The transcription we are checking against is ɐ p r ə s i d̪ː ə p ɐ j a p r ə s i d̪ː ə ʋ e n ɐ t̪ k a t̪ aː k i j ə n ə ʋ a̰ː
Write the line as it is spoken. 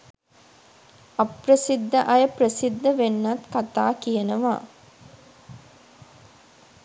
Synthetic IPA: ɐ p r ə s i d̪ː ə ʔ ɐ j ə p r ə s i d̪ː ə ʋ e nː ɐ t̪ k a t̪ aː k i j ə n ə ʋ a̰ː